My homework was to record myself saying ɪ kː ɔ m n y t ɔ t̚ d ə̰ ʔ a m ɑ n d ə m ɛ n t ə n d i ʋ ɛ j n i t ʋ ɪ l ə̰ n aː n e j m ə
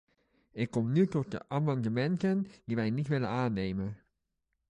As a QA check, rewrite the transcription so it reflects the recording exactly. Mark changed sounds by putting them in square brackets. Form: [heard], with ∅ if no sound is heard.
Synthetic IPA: ɪ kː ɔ m n y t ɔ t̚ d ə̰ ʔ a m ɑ n d ə m ɛ n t ə n d i ʋ ɛ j n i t ʋ ɪ l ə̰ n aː n e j m ə